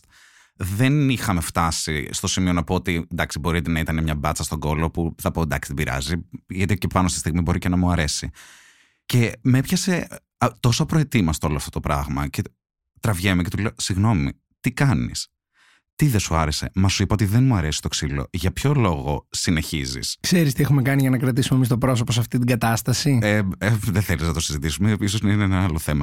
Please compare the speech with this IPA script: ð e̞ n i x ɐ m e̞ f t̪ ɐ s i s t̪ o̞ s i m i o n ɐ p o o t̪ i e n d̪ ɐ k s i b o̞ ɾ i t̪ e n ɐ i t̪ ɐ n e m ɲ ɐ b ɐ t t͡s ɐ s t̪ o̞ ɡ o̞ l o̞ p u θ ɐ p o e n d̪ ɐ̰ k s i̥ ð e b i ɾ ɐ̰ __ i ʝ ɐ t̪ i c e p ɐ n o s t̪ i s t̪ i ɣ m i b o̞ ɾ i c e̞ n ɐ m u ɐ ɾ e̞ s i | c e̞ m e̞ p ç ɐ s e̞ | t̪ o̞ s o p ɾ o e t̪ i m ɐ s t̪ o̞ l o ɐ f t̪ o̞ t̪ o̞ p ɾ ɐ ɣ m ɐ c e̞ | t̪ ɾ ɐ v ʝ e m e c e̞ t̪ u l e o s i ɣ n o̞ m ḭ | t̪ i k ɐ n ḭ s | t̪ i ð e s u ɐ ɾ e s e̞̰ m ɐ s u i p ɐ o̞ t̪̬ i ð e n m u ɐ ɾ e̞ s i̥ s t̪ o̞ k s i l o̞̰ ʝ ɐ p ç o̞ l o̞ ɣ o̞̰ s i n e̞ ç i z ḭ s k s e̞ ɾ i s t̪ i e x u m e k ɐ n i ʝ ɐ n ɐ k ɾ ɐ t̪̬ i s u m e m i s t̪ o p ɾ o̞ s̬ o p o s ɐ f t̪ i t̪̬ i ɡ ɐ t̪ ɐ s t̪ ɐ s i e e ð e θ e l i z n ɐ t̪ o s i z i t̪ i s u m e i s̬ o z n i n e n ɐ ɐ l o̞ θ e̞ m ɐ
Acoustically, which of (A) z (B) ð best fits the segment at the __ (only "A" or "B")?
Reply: A